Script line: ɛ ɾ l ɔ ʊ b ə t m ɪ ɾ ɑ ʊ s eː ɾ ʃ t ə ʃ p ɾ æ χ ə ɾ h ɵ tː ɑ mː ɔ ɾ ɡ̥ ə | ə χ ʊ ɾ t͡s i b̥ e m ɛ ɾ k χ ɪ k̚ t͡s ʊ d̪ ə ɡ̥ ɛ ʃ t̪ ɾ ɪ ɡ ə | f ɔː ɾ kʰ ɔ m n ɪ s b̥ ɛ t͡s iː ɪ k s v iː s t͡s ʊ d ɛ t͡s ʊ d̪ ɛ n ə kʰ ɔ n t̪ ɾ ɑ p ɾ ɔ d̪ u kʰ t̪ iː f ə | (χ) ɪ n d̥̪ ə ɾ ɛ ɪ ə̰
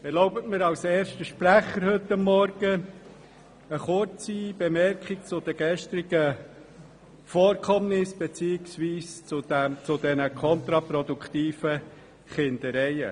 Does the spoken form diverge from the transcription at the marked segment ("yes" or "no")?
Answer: no